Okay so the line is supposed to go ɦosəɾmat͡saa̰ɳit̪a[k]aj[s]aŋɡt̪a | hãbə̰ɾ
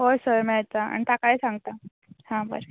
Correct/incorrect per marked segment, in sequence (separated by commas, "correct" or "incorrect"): correct, correct